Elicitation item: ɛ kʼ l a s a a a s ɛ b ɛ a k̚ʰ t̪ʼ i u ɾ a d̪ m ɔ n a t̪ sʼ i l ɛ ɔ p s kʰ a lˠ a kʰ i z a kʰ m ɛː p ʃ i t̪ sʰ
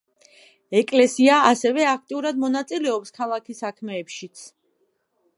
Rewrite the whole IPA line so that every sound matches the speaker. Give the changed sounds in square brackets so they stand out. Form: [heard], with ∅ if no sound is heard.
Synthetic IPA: ɛ kʼ l [ɛ] s [i] a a s ɛ [v] ɛ a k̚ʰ t̪ʼ i u ɾ a d̪ m ɔ n a t̪ sʼ i l ɛ ɔ p s kʰ a lˠ a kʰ i [s] a kʰ m ɛː p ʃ i t̪ sʰ